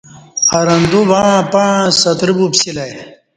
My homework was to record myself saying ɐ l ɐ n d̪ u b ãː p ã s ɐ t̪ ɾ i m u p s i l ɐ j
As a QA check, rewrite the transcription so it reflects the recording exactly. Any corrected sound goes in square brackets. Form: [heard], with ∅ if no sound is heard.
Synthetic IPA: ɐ [ɾ] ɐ n d̪ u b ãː p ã s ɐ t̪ ɾ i [b] u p s i l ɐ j